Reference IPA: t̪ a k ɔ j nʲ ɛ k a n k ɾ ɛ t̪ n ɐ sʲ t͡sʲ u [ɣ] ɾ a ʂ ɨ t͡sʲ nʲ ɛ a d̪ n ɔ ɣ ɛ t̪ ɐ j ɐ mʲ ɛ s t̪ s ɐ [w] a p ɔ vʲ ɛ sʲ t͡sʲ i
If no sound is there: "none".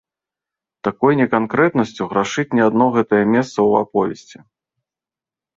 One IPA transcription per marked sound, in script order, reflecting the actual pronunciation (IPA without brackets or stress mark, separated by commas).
ɣ, w